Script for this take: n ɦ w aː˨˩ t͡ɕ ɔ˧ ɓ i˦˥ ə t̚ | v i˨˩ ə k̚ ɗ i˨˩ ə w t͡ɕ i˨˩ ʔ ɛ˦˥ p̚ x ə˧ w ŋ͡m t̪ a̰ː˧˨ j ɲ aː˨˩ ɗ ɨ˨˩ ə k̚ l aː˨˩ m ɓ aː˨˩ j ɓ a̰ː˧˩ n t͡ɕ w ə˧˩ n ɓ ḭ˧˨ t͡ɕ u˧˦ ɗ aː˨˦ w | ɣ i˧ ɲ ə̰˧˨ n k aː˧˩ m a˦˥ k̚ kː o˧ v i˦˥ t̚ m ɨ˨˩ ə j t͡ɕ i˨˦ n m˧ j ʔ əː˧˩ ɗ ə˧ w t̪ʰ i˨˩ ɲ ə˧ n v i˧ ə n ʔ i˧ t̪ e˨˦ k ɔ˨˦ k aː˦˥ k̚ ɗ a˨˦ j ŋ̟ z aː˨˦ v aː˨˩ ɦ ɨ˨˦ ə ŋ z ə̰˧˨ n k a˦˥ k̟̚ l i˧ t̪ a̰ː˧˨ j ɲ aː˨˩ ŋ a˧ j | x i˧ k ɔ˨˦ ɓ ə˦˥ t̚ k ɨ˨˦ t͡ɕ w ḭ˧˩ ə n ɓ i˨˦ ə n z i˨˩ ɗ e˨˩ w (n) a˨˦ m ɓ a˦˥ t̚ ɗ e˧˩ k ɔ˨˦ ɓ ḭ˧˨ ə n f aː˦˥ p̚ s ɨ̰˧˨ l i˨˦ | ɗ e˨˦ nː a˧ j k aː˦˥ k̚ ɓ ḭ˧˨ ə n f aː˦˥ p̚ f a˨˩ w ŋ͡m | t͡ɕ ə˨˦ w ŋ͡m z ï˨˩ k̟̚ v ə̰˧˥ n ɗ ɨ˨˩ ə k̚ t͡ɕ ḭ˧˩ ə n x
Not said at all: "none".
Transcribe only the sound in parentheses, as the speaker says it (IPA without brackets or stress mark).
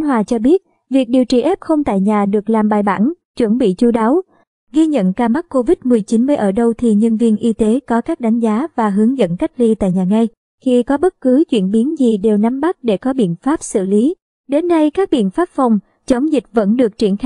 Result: n